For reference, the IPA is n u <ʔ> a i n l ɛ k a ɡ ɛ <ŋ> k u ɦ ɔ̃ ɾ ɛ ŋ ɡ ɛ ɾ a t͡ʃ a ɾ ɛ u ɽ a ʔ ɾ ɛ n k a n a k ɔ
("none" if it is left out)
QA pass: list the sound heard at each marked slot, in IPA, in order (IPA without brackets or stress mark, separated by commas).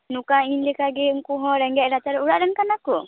k, ŋ